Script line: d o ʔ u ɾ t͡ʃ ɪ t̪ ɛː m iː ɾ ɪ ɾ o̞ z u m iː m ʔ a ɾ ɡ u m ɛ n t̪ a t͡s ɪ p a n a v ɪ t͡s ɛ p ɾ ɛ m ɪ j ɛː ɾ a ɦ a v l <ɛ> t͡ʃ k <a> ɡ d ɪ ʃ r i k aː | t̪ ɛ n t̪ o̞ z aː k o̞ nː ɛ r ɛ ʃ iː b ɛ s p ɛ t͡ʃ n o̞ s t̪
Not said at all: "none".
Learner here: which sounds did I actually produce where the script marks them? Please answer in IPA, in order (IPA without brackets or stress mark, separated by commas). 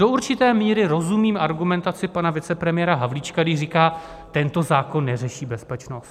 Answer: i, a